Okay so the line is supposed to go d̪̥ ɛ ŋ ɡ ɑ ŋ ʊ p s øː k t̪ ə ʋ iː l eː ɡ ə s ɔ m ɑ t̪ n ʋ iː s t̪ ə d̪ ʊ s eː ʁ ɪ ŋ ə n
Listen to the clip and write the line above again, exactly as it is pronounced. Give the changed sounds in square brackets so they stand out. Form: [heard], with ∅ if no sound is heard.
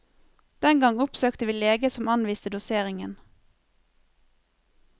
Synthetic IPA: d̪̥ ɛ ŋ ɡ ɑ ŋ ʊ p s øː k t̪ ə ʋ iː l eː ɡ ə s ɔ m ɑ [∅] n ʋ iː s t̪ ə d̪ ʊ s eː ʁ ɪ ŋ ə n